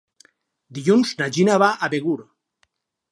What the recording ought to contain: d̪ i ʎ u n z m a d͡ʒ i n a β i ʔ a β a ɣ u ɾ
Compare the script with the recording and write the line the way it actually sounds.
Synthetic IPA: d̪ i ʎ u n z n a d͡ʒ i n a β a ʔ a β e ɣ u ɾ

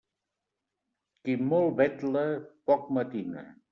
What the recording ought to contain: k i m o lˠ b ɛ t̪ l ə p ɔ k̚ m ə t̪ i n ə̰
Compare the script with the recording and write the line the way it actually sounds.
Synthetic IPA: k i m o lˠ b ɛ t̪ l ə p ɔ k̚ m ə t̪ i n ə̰

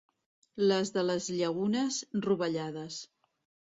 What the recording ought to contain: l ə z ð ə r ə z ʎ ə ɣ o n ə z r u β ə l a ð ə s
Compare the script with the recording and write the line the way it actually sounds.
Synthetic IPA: l ə z ð ə l ə z ʎ ə ɣ u n ə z r u β ə ʎ a ð ə s

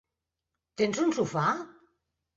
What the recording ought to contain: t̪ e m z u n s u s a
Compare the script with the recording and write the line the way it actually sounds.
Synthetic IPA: t̪ e n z u n s u f a

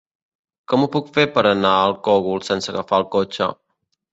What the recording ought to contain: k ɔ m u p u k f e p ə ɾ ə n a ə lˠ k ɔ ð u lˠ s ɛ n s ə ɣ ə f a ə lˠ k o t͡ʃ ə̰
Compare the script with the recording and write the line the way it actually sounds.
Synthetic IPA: k ɔ m u p u k f e p ə ɾ ə n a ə lˠ k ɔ ɣ u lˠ s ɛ n s ə ɣ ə f a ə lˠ k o t͡ʃ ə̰

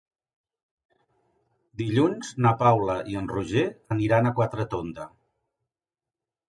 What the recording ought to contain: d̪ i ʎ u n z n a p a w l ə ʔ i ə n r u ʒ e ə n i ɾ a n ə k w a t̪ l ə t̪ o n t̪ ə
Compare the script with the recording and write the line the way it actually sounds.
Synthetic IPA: d̪ i ʎ u n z n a p a w l ə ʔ i ə n r u ʒ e ə n i ɾ a n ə k w a t̪ ɾ ə t̪ o n d̪ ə

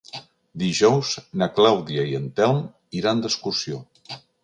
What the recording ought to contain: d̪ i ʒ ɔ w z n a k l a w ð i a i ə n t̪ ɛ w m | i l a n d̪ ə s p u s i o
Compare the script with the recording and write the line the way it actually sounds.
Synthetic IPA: d̪ i ʒ ɔ w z n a k l a w ð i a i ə n t̪ ɛ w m | i ɾ a n d̪ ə s k u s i o

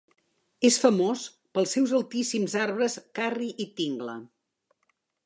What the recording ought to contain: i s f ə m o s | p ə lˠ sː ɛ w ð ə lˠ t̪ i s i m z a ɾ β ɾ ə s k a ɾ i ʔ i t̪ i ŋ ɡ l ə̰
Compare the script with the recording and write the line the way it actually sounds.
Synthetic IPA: e s f ə m o s | p ə lˠ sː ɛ w z ə lˠ t̪ i s i m z a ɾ β ɾ ə s k a r i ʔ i t̪ i ŋ ɡ l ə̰

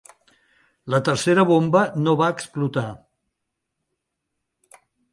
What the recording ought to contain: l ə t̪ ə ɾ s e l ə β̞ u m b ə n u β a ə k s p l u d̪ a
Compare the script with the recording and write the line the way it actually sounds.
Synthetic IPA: l ə t̪ ə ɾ s e ɾ ə β̞ o m b ə n o β a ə k s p l u t̪ a

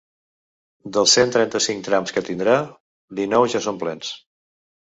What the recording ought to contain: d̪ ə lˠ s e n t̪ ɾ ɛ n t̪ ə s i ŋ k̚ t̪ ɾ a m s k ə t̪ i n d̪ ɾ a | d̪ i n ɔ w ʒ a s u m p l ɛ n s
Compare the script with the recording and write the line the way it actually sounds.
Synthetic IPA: d̪ ə lˠ s e n t̪ ɾ ɛ n t̪ ə s i ŋ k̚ t̪ ɾ a m s k ə t̪ i n d̪ ɾ a | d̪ i n ɔ w ʒ a s o m p l ɛ n s

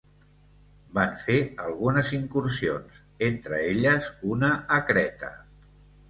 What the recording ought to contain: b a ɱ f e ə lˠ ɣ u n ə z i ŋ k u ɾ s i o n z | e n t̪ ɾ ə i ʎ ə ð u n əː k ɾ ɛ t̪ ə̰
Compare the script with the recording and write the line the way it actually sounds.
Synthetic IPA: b a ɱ f e ə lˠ ɣ u n ə z i ŋ k u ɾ s i o n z | e n t̪ ɾ ə e ʎ ə z u n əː k ɾ ɛ t̪ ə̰

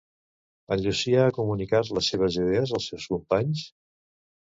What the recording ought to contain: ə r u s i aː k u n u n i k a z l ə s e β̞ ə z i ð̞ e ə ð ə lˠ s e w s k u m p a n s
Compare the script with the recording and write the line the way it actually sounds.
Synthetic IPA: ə ʎ u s i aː k u m u n i k a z l ə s e β̞ ə z i ð̞ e ə z ə lˠ s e w s k u m p a ɲ s

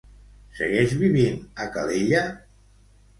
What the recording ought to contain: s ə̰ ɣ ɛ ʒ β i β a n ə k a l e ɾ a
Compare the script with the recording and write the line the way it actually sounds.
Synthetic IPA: s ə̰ ɣ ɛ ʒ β i β i n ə k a l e ʎ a

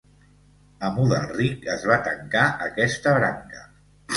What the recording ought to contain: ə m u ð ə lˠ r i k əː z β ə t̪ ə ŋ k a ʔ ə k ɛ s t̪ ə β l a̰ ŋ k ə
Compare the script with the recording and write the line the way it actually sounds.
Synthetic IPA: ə m u ð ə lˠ r i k ə z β a t̪ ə ŋ k a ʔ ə k ɛ s t̪ ə β ɾ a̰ ŋ k ə

